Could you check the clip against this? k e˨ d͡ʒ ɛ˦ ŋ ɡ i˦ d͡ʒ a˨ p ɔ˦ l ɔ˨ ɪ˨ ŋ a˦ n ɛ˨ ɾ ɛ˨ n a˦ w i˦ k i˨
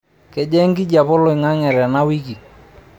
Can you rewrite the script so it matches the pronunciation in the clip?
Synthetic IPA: k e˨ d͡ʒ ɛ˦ ŋ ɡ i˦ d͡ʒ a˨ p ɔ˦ l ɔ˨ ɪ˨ ŋ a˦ ŋ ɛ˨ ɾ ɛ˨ n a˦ w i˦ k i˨

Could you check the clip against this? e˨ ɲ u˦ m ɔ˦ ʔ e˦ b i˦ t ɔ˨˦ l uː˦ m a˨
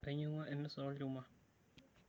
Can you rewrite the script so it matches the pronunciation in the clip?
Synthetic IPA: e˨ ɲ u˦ ŋ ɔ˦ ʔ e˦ m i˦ s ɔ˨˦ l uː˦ m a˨

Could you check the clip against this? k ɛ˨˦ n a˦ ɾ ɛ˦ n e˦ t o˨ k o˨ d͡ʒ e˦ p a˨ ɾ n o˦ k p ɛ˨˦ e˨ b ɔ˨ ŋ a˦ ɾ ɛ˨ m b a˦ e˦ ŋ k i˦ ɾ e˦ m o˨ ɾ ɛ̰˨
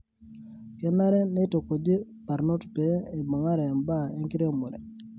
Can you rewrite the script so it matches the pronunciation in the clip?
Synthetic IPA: k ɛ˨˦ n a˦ ɾ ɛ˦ n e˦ t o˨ k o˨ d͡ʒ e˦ p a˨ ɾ n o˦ t p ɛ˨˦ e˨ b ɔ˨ ŋ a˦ ɾ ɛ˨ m b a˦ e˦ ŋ k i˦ ɾ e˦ m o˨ ɾ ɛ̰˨

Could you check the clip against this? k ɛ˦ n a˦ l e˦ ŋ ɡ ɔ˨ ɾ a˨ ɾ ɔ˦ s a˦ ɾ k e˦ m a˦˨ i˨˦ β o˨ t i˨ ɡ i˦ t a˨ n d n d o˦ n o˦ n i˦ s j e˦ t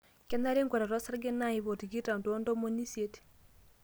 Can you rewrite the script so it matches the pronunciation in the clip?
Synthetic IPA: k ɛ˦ n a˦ ɾ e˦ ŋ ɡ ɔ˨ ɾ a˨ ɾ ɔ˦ s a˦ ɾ ɡ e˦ n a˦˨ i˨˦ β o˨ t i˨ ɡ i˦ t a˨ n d n d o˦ m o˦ n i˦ s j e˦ t

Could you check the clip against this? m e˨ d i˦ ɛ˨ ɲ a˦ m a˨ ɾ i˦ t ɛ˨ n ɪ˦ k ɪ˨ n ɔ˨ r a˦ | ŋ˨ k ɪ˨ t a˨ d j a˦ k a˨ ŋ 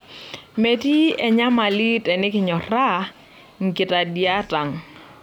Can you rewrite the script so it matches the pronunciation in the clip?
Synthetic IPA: m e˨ t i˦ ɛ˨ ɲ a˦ m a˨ l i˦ t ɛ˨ n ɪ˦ k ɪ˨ ɲ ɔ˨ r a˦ | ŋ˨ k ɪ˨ t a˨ d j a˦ t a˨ ŋ

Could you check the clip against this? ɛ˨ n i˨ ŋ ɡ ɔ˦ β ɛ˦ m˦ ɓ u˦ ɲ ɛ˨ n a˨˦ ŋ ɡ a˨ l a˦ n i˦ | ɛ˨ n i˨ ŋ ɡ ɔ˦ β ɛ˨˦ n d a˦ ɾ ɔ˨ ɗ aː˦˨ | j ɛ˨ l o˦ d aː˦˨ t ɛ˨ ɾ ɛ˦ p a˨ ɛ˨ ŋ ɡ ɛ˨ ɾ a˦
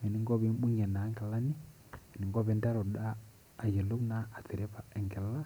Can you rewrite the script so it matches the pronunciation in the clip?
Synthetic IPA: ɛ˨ n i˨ ŋ ɡ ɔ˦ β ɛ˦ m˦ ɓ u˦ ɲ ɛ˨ n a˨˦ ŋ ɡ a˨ l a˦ n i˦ | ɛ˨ n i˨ ŋ ɡ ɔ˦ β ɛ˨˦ n d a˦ ɾ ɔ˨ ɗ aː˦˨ | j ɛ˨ l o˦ n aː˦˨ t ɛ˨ ɾ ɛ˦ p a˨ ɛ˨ ŋ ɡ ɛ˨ l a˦

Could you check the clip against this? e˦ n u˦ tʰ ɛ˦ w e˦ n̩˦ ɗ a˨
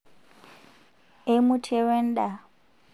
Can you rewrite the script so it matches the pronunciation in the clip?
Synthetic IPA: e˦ m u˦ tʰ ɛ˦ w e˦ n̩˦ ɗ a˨

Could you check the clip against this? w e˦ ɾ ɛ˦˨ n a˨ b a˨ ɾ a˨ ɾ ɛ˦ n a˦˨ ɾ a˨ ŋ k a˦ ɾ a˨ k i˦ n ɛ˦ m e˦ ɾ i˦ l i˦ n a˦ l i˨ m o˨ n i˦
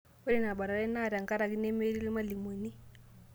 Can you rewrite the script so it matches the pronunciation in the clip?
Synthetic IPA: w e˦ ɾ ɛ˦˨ n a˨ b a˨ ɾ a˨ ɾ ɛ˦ n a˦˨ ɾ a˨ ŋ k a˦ ɾ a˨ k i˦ n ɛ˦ m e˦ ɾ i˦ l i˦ m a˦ l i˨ m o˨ n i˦

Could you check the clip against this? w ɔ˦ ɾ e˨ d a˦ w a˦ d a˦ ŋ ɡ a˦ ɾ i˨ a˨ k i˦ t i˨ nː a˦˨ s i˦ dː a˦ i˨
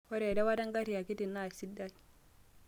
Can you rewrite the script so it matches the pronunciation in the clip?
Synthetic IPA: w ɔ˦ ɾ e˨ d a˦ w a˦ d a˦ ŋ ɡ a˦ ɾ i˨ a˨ k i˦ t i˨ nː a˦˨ s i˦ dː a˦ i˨

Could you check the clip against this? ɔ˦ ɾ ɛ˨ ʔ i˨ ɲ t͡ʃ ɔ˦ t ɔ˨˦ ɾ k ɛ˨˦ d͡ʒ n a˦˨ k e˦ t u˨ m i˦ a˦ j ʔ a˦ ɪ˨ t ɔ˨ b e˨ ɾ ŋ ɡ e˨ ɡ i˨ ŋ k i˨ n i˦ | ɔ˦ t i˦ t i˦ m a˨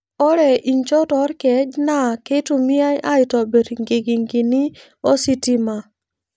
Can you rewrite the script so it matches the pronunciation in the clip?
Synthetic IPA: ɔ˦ ɾ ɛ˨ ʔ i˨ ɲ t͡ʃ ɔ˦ t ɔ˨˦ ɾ k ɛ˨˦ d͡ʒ n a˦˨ k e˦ t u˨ m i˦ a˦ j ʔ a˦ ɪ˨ t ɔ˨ b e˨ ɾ ŋ ɡ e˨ ɡ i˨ ŋ ɡ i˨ n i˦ | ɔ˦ s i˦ t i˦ m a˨

